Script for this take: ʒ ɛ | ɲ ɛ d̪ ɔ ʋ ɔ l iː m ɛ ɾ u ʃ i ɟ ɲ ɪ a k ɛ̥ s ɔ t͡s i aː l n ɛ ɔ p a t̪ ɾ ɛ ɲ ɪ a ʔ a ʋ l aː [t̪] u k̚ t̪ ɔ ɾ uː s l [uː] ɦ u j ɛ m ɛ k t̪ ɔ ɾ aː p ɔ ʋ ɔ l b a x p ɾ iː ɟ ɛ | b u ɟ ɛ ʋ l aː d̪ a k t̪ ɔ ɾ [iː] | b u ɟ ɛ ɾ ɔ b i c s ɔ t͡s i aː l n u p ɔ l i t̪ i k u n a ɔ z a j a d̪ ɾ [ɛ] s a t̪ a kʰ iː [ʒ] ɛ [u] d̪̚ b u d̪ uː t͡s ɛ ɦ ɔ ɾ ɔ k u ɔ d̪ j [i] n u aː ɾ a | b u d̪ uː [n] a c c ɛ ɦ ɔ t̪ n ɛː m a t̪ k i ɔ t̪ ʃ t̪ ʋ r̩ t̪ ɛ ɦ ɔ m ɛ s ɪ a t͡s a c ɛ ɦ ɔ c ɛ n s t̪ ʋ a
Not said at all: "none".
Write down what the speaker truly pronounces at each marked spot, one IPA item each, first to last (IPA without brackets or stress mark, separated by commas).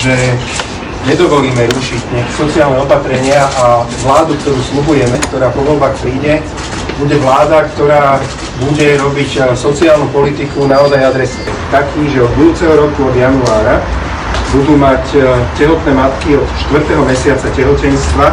d̪, u, aː, ɛ, ʒ, ɔ, a, m